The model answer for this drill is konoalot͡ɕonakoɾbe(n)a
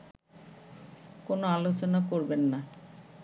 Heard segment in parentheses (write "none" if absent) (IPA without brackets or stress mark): nː